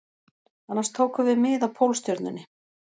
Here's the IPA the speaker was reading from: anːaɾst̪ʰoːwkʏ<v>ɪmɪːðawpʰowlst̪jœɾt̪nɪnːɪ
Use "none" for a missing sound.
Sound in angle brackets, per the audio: v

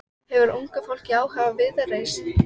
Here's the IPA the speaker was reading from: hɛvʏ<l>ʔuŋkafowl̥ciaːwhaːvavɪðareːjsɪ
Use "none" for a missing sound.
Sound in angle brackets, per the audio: ɾ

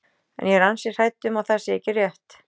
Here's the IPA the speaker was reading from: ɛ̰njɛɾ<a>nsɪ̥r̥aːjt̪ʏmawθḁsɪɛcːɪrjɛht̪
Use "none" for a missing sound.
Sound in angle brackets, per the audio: a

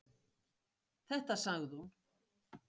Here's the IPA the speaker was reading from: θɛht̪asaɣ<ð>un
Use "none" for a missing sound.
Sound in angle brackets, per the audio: ð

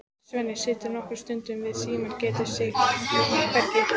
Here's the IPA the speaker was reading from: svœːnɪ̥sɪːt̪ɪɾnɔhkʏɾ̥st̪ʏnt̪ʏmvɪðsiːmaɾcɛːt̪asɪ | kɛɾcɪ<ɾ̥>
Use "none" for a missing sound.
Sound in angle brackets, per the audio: none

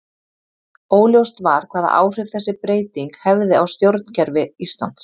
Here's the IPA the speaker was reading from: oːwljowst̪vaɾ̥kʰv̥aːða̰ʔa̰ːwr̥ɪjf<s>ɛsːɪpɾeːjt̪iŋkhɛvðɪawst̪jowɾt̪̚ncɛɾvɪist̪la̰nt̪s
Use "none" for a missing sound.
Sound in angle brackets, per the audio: θ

